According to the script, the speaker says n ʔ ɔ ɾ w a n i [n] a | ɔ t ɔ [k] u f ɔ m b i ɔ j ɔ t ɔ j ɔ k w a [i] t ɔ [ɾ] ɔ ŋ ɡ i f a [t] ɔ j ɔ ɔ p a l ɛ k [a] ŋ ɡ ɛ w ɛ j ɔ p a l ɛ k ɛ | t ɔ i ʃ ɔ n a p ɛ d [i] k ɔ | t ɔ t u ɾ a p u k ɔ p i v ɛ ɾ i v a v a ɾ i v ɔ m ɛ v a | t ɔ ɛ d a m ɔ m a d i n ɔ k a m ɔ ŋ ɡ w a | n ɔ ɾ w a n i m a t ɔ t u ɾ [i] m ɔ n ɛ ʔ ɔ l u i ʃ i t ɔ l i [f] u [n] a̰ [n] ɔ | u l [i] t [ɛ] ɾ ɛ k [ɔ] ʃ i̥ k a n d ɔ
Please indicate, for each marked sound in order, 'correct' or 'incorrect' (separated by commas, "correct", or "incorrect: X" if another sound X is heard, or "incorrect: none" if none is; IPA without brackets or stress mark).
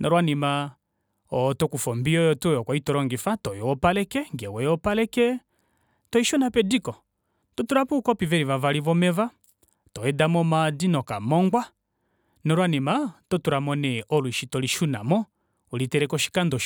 incorrect: m, correct, correct, correct, correct, incorrect: ɛ, correct, incorrect: a, incorrect: ʃ, correct, incorrect: m, correct, correct, correct